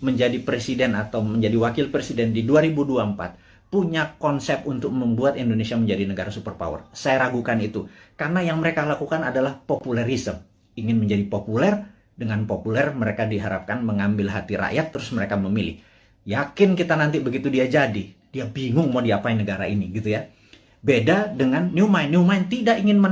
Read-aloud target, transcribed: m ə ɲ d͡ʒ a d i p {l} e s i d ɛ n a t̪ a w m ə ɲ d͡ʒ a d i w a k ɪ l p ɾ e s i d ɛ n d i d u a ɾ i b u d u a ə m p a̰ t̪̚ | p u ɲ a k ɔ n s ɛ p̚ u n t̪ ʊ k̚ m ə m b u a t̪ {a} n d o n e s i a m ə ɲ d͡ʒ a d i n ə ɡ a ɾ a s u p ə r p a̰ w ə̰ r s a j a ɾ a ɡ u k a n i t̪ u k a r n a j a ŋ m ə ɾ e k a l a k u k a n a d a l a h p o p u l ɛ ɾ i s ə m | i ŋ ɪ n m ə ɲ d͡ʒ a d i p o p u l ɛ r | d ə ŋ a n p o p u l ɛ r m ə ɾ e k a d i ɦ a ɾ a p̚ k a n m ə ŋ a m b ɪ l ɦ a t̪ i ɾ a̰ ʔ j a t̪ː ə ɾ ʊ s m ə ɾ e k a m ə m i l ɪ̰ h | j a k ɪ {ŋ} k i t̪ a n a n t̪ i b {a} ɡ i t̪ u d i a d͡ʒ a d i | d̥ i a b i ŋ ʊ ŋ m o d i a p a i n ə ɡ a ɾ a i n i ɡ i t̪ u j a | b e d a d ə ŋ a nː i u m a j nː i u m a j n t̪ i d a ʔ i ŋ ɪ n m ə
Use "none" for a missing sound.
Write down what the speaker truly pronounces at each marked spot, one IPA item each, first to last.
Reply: ɾ, i, n, ə

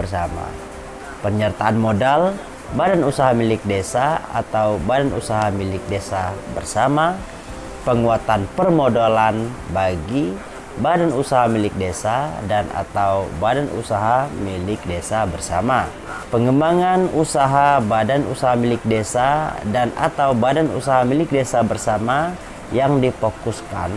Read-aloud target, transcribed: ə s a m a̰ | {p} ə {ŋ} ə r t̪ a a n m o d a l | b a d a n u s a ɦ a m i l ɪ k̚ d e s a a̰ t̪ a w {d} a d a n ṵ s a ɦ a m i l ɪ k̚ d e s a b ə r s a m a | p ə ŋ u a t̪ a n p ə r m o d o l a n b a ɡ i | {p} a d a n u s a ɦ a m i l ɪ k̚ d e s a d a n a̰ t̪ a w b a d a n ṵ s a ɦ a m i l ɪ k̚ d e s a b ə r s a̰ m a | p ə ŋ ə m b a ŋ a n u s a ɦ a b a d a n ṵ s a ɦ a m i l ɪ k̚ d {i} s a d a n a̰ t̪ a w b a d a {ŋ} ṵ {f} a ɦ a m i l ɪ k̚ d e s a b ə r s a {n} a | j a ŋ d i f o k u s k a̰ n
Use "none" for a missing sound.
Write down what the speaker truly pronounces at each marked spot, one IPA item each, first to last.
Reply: p, ɲ, b, b, e, n, s, m

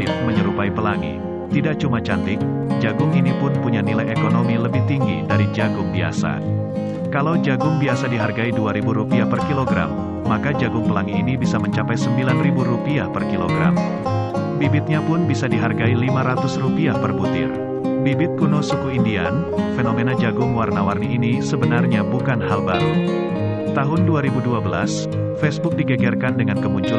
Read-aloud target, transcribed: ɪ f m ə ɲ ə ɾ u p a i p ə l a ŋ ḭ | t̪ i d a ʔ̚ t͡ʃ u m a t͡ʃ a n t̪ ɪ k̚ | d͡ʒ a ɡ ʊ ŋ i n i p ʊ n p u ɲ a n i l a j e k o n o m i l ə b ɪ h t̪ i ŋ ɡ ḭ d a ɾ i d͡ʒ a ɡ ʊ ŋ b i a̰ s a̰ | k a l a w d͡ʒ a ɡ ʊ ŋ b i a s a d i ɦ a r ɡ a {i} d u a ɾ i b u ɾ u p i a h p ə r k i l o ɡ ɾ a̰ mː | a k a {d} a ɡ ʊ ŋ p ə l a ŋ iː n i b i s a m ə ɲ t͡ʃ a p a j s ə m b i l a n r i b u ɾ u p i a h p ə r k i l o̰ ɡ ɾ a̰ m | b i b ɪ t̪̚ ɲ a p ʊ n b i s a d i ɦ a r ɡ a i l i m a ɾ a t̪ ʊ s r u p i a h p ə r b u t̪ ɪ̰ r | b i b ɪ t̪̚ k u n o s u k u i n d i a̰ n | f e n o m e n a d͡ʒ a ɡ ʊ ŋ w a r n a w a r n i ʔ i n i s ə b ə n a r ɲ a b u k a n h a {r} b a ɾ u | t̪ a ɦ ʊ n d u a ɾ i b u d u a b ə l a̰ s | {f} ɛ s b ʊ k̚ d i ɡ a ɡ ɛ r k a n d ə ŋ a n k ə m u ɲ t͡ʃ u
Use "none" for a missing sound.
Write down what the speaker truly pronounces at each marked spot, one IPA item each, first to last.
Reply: i, d͡ʒ, l, f

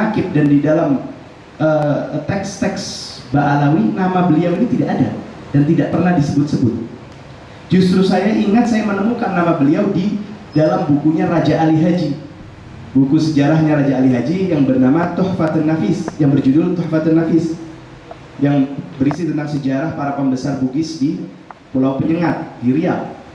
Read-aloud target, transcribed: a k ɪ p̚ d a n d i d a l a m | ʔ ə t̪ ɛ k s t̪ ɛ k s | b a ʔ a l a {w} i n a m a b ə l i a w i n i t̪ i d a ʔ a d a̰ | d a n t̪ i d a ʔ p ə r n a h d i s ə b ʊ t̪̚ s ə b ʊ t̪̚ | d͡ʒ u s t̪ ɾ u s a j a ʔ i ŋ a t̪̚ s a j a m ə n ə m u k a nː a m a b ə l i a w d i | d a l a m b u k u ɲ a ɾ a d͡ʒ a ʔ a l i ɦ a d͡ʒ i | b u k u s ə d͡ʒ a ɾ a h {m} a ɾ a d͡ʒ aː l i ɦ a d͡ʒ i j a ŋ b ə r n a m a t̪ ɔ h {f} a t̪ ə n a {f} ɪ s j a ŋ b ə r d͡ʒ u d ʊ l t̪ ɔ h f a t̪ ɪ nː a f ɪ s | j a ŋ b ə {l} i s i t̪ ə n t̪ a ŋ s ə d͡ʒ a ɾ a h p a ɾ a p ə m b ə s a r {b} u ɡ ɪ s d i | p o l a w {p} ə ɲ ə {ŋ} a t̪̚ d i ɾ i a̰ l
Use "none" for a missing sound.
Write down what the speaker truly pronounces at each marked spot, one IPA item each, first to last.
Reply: w, ɲ, f, f, ɾ, b, p, ŋ

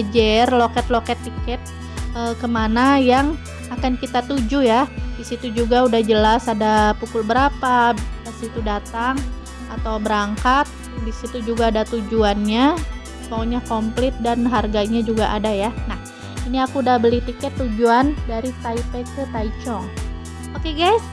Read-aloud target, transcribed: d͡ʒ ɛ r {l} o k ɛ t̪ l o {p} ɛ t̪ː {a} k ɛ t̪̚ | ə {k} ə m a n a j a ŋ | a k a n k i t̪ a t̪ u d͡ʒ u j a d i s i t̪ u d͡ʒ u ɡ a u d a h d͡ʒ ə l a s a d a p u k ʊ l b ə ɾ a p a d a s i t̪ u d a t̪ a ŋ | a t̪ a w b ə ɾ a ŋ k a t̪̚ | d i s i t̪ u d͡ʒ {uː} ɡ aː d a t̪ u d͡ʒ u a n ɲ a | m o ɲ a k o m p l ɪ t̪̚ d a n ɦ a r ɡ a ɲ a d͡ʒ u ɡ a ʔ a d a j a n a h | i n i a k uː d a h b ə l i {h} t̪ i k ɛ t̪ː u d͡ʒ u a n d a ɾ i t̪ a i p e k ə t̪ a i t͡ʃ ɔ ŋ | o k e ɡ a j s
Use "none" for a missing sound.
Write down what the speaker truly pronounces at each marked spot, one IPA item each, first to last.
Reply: l, k, i, k, u, h

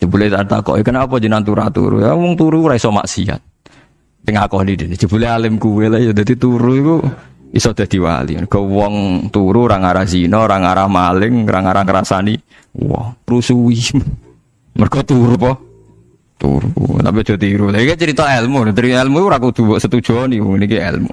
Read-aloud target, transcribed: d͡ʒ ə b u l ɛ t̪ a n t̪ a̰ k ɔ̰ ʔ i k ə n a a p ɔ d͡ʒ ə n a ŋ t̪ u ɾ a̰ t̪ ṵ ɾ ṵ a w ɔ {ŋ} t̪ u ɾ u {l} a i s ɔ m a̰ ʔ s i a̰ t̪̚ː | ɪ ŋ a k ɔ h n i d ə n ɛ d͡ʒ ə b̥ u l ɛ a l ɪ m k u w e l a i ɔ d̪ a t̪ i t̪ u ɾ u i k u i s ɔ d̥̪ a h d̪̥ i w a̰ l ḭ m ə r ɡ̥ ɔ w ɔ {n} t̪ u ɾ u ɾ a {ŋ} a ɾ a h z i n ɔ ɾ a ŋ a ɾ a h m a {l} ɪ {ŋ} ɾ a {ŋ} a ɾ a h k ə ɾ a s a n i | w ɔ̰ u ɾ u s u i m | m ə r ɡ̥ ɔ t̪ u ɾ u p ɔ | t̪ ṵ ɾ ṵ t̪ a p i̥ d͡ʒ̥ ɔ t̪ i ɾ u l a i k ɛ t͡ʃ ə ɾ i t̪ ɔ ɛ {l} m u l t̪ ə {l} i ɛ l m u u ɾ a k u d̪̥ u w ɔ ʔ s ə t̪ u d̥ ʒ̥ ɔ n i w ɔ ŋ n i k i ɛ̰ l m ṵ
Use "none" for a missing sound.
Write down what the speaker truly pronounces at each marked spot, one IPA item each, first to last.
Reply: ŋ, ɾ, ŋ, ŋ, l, ŋ, ŋ, l, ɾ

